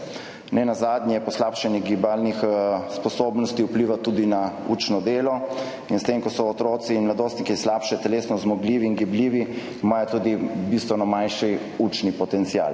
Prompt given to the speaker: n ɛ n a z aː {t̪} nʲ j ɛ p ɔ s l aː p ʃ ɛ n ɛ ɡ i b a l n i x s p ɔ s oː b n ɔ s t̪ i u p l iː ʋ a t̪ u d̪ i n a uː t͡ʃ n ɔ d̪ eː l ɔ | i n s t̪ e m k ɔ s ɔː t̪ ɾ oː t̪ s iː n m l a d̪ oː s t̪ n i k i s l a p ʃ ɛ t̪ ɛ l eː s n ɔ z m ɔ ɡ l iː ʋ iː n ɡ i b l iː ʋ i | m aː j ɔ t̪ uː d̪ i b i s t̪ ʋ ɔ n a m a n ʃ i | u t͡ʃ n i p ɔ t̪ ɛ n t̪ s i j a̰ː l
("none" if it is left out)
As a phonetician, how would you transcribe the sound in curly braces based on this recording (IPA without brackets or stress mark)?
d̪